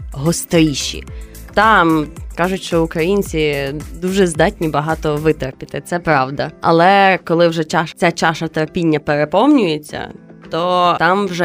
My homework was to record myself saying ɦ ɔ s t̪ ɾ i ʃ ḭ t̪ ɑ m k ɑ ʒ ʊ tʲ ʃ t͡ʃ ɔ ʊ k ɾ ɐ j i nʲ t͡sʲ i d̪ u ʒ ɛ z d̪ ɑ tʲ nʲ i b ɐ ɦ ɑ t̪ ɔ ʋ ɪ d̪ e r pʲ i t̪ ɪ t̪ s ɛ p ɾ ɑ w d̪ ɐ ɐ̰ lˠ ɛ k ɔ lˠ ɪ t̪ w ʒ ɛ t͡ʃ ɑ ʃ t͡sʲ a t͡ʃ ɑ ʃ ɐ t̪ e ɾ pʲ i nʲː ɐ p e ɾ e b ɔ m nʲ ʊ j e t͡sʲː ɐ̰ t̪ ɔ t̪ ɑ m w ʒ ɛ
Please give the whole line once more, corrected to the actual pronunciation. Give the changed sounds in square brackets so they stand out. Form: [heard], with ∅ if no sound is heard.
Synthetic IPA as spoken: ɦ ɔ s t̪ ɾ i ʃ ḭ t̪ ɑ m k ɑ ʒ ʊ tʲ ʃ t͡ʃ ɔ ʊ k ɾ ɐ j i nʲ t͡sʲ i d̪ u ʒ ɛ z d̪ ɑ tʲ nʲ i b ɐ ɦ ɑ t̪ ɔ ʋ ɪ [t̪] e r pʲ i t̪ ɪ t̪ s ɛ p ɾ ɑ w d̪ ɐ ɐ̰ lˠ ɛ k ɔ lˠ ɪ [∅] w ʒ ɛ t͡ʃ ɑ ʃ t͡sʲ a t͡ʃ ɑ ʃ ɐ t̪ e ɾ pʲ i nʲː ɐ p e ɾ e [p] ɔ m nʲ ʊ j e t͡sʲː ɐ̰ t̪ ɔ t̪ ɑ m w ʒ ɛ